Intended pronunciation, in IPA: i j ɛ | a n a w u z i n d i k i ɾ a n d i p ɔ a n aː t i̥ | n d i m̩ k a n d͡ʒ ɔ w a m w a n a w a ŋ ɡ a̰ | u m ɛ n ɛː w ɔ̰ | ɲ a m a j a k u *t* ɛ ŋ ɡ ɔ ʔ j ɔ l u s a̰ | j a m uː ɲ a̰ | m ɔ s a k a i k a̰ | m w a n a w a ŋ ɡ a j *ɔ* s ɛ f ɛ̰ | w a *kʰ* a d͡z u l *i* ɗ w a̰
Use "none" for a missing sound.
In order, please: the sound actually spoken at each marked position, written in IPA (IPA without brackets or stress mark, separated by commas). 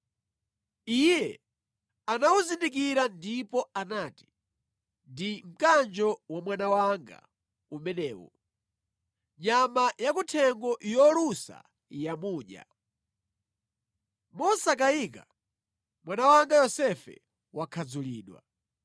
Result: tʰ, ɔ, kʰ, iː